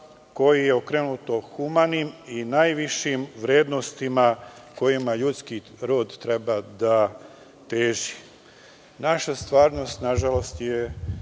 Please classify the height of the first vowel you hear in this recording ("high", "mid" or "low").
mid